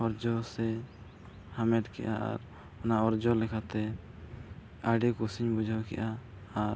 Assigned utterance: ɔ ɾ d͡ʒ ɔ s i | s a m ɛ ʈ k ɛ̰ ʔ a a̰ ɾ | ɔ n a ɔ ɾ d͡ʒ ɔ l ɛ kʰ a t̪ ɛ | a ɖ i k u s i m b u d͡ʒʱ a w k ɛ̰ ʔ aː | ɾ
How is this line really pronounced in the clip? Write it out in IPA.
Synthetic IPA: ɔ ɾ d͡ʒ ɔ s ɛ | h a m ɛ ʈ k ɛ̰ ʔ a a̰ ɾ | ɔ n a ɔ ɾ d͡ʒ ɔ l ɛ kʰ a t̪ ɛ | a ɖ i k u s i ɲ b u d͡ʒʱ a w k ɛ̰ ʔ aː | ɾ